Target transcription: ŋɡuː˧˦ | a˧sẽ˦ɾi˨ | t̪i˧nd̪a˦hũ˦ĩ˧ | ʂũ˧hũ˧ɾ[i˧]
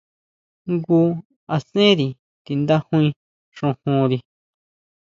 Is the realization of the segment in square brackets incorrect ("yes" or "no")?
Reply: no